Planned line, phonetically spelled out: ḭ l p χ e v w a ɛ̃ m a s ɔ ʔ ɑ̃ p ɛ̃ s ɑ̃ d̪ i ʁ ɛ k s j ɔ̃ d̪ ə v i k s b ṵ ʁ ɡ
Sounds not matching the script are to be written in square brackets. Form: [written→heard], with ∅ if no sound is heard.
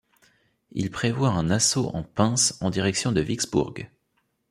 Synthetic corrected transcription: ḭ l p χ e v w a ɛ̃ [m→n] a s [ɔ→o] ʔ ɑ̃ p ɛ̃ s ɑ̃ d̪ i ʁ ɛ k s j ɔ̃ d̪ ə v i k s b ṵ ʁ ɡ